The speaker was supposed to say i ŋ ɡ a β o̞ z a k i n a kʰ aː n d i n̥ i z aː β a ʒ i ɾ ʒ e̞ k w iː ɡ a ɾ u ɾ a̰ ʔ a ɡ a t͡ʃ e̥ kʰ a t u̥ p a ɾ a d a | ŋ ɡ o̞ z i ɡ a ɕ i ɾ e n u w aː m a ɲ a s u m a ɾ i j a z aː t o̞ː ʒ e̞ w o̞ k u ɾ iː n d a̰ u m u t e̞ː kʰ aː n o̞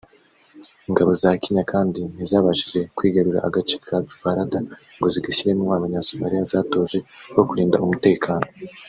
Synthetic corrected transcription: i ŋ ɡ a β o̞ z a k i ɲ a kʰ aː n d i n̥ i z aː β a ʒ i ʒ e̞ k w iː ɡ a ɾ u ɾ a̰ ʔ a ɡ a t͡ʃ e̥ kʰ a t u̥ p a ɾ a d a | ŋ ɡ o̞ z i ɡ a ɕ i ɾ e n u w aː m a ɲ a s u m a ɾ i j a z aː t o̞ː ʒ e̞ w o̞ k u ɾ iː n d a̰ u m u t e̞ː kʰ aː n o̞